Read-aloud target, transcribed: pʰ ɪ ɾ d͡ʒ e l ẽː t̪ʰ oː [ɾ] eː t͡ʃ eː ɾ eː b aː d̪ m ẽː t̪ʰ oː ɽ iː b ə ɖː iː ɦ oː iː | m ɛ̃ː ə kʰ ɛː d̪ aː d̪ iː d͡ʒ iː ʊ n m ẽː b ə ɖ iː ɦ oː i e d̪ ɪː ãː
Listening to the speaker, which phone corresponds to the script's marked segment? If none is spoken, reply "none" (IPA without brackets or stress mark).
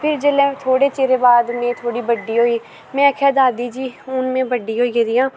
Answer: ɽ